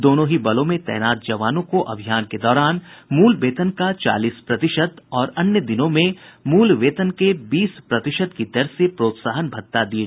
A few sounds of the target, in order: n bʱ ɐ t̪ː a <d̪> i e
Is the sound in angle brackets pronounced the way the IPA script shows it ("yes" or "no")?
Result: yes